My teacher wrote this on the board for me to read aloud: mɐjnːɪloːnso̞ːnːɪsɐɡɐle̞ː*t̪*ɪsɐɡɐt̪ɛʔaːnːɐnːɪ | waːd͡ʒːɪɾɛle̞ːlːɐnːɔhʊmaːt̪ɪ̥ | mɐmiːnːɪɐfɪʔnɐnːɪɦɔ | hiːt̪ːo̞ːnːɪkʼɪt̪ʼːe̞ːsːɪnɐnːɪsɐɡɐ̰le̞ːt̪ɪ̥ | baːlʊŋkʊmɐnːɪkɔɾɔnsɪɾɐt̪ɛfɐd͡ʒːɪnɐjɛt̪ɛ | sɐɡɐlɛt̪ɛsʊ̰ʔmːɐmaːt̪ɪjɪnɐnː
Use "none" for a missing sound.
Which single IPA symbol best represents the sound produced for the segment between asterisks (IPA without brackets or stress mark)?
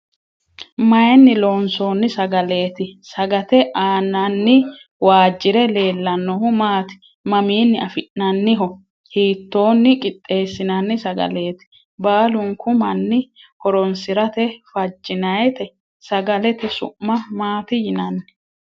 t̪